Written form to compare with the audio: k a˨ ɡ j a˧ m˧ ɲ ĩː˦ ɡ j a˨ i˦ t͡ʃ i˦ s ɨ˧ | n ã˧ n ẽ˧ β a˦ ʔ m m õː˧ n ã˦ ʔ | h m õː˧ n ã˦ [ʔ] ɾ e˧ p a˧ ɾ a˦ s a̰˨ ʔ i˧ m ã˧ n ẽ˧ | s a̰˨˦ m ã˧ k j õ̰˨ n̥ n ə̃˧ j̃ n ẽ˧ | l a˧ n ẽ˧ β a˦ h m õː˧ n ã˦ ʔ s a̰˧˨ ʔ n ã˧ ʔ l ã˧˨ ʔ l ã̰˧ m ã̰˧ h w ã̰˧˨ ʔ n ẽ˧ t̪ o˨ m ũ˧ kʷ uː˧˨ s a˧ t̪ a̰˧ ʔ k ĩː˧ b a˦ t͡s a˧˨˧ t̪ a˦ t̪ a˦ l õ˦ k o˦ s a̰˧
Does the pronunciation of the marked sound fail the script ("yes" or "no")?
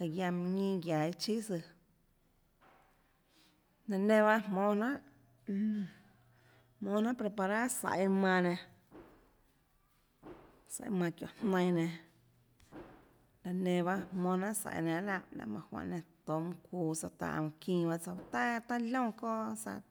yes